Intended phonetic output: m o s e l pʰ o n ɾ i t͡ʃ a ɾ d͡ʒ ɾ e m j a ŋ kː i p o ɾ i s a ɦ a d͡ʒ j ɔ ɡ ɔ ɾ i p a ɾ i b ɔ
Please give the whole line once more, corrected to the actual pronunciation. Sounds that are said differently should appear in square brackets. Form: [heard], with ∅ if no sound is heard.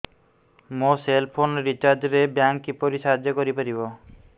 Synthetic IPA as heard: m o s e l pʰ o n ɾ i t͡ʃ a ɾ d͡ʒ ɾ e [b] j a ŋ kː i p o ɾ i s a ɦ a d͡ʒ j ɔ [k] ɔ ɾ i p a ɾ i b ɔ

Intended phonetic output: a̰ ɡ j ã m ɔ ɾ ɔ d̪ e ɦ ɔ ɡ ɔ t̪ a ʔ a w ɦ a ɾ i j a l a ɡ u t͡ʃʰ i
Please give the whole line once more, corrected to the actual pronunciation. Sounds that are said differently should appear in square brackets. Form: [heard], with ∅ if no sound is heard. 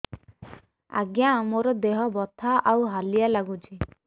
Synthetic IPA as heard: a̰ ɡ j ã m [o] ɾ ɔ d̪ e ɦ ɔ [b] ɔ [t̪ʰ] a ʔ a w ɦ a [l] i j a l a ɡ u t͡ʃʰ i

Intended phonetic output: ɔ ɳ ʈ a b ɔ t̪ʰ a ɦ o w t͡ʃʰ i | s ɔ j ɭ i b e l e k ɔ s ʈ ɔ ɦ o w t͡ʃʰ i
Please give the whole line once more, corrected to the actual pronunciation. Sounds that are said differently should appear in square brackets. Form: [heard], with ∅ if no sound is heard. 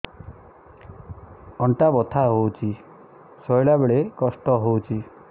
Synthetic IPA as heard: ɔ ɳ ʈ a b ɔ t̪ʰ a ɦ o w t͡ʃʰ i | s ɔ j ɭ [a] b e [ɭ] e k ɔ s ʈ ɔ ɦ o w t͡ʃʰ i

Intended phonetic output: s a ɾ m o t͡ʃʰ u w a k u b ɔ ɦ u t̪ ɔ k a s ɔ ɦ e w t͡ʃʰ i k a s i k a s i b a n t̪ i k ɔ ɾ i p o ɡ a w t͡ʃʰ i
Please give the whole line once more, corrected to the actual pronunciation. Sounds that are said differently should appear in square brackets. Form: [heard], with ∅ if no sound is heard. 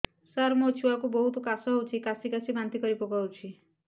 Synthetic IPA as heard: s a ɾ m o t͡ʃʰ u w a k u b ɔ ɦ u t̪ ɔ k a s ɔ ɦ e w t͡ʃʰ i k a s i k a s i b a n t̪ i k ɔ ɾ i p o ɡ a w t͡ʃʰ i

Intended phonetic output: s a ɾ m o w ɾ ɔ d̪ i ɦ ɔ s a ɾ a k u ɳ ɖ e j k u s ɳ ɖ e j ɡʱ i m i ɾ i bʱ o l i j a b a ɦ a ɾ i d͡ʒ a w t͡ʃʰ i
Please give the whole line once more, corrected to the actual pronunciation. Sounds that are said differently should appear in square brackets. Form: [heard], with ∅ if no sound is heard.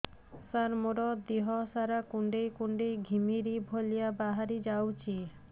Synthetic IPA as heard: s a ɾ m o [∅] ɾ ɔ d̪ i ɦ ɔ s a ɾ a k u ɳ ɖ e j k u [∅] ɳ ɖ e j ɡʱ i m i ɾ i bʱ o l i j a b a ɦ a ɾ i d͡ʒ a w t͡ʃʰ i

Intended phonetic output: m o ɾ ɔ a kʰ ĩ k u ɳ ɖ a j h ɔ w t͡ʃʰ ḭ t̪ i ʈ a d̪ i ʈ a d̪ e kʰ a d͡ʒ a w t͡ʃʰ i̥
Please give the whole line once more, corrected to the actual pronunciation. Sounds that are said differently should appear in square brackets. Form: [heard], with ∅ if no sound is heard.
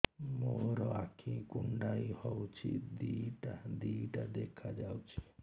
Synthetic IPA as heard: m o ɾ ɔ a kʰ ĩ k u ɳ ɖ a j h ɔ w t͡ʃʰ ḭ [d̪] i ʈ a d̪ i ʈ a d̪ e kʰ a d͡ʒ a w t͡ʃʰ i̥

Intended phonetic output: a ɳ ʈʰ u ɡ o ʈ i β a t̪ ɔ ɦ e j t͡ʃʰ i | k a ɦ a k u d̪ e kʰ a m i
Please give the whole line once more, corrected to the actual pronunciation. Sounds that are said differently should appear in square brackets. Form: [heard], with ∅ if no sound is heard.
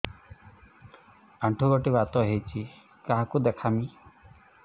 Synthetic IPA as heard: a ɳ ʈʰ u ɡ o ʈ i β a t̪ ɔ ɦ e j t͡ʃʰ i | k a ɦ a k u d̪ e kʰ a m i

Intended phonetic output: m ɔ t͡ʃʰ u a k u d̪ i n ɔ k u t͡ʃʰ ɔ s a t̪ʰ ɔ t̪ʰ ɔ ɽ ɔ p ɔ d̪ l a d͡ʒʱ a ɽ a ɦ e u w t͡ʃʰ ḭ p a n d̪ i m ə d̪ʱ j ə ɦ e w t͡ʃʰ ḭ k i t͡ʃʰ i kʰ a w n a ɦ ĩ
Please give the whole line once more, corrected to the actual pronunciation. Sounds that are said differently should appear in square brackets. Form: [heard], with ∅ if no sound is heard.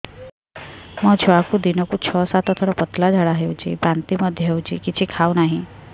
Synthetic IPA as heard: m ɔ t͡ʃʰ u a k u d̪ i n ɔ k u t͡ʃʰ ɔ s a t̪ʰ ɔ t̪ʰ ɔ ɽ ɔ p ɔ [t̪] l a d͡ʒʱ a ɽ a ɦ e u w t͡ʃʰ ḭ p a n [t̪] i m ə d̪ʱ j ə ɦ e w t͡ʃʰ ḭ k i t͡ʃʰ i kʰ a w n a ɦ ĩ

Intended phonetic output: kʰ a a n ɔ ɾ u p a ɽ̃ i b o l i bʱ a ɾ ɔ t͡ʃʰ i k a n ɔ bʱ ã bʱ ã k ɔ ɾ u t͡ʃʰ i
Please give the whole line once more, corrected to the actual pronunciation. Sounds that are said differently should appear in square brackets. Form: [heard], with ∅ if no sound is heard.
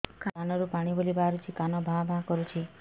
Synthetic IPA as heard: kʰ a a n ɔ ɾ u p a ɽ̃ i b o l i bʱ a ɾ [u] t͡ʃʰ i k a n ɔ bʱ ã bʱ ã k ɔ ɾ u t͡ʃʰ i

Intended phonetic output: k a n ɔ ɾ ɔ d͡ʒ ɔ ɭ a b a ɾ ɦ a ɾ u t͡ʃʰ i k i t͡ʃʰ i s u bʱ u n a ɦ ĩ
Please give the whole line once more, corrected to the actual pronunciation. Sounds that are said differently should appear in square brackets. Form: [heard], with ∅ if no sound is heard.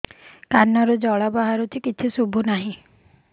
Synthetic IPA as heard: k a n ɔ ɾ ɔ d͡ʒ ɔ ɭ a b a [∅] ɦ a ɾ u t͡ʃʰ i k i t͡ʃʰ i s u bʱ u n a ɦ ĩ

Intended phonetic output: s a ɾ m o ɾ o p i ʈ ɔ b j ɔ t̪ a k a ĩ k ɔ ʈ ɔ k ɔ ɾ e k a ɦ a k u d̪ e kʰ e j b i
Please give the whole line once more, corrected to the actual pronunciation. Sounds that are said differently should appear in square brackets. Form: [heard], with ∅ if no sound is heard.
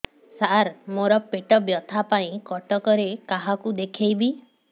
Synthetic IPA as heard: s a ɾ m o ɾ [ɔ] p [e] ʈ ɔ b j ɔ [t̪ʰ] a [p] a ĩ k ɔ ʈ ɔ k ɔ ɾ e k a ɦ a k u d̪ e kʰ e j b i

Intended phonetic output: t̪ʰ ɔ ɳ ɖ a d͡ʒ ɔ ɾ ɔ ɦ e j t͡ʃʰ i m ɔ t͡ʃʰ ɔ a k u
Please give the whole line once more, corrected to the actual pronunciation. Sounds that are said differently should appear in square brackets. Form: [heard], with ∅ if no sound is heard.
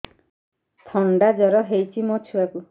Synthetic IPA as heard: t̪ʰ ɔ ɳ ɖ a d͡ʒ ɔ ɾ ɔ ɦ e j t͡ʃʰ i m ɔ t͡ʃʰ [u] a k u

